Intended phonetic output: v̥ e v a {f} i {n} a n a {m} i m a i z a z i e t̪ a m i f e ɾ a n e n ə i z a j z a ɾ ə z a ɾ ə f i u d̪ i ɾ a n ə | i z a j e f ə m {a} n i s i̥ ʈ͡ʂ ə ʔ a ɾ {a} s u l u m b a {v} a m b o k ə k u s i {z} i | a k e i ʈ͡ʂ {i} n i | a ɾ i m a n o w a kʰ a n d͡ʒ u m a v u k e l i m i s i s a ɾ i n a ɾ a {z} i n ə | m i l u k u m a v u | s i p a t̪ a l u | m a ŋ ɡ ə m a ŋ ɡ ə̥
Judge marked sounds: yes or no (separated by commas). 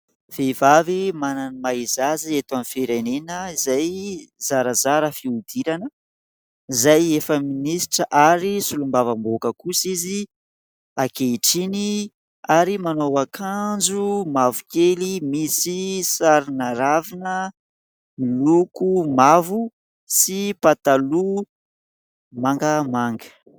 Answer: no, no, no, no, no, yes, yes, yes, no